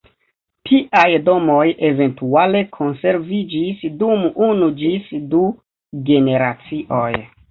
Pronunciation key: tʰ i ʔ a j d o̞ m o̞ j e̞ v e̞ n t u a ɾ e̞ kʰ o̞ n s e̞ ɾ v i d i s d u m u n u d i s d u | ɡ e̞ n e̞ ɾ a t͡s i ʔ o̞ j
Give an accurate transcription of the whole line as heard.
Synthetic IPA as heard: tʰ i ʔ a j d o̞ m o̞ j e̞ v e̞ n t u a l e̞ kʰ o̞ n s e̞ ɾ v i d͡ʒ i s d u m u n u d͡ʒ i s d u | ɡ e̞ n e̞ ɾ a t͡s i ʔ o̞ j